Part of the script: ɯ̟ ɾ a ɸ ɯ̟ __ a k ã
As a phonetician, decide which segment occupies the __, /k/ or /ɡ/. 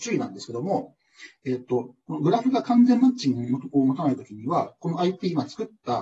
ɡ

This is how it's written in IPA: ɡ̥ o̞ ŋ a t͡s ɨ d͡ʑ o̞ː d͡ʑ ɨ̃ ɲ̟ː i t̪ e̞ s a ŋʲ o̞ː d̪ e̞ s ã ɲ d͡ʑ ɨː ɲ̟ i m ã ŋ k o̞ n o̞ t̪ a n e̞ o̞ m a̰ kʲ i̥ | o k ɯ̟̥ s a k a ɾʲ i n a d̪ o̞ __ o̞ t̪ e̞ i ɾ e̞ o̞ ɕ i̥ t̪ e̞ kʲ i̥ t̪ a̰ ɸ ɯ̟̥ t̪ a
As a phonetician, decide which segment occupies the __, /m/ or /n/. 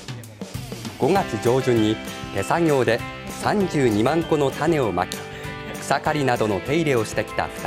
n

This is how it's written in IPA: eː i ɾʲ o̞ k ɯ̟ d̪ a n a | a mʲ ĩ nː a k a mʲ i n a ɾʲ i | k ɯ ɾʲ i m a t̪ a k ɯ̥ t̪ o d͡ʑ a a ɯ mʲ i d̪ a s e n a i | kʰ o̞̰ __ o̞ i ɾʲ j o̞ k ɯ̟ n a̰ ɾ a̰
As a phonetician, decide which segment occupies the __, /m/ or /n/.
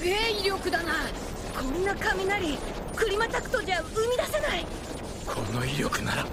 n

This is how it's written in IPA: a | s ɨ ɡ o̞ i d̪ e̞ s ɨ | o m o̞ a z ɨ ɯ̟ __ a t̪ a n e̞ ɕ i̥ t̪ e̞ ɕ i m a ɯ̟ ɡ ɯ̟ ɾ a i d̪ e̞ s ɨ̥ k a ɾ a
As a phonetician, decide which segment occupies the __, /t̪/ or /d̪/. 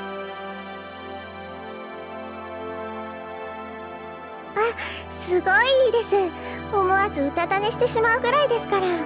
t̪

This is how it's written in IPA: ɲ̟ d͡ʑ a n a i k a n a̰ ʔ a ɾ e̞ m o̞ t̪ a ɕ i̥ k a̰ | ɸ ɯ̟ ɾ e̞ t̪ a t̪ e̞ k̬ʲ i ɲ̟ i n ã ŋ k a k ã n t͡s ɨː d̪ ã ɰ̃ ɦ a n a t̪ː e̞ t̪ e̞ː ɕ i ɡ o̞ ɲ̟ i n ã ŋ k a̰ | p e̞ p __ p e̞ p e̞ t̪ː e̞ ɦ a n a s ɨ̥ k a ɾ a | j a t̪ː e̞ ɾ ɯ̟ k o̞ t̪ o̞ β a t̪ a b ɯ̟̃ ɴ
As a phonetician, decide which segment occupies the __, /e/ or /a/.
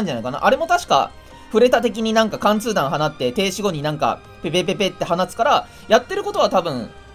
e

